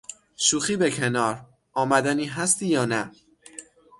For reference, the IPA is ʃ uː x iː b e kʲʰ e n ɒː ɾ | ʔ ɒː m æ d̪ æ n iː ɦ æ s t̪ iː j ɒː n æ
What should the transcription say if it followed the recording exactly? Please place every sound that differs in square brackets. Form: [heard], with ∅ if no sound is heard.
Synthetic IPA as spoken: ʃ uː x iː b e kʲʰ e n ɒː ɾ | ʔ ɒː m æ d̪ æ n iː ɦ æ s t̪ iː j ɒː n æ